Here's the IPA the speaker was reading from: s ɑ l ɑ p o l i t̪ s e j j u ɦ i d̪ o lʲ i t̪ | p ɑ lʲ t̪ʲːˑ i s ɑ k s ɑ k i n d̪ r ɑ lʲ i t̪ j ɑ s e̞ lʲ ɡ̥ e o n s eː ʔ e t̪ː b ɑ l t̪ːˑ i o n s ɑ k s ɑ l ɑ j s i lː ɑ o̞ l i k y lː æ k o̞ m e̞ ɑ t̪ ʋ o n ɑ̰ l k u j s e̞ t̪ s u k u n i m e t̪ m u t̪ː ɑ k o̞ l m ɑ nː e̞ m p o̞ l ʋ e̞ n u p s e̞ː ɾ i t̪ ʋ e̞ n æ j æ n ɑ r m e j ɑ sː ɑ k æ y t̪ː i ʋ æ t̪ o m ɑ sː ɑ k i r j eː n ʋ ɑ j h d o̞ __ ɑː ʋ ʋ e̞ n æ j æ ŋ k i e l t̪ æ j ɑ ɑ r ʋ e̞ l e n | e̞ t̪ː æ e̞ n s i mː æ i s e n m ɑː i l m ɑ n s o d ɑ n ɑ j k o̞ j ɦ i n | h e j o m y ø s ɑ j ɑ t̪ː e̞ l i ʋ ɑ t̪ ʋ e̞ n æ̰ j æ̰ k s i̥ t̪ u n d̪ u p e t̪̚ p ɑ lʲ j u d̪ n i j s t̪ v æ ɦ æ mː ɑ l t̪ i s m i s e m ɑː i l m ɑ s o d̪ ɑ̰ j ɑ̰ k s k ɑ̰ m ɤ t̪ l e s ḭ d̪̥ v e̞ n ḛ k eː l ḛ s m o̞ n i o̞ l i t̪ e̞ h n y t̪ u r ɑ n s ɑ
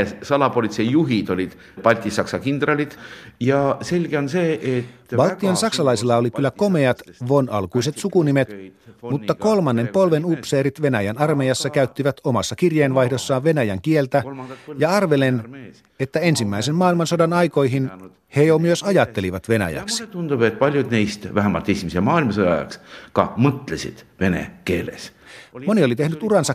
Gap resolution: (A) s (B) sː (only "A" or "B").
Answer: B